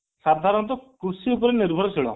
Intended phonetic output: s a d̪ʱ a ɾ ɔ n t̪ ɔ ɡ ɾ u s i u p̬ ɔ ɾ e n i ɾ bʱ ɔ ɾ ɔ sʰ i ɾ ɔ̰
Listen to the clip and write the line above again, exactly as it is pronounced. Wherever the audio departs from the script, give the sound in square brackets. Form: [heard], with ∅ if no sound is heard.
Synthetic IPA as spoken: s a d̪ʱ a ɾ ɔ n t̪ ɔ [k] ɾ u s i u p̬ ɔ ɾ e n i ɾ bʱ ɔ ɾ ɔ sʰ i [ɭ] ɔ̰